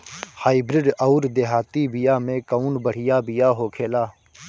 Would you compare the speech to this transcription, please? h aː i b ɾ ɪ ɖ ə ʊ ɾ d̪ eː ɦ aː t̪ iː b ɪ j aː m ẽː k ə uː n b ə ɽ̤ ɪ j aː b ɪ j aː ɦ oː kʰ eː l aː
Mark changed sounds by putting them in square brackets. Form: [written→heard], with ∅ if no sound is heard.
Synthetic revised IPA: h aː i b ɾ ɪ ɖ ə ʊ ɾ d̪ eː ɦ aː t̪ iː b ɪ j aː m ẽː k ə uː n b ə ɽ̤ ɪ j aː b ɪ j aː ɦ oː kʰ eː l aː